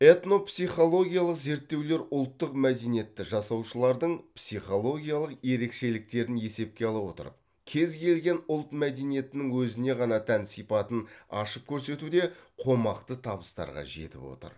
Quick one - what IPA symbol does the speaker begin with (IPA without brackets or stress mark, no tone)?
e̞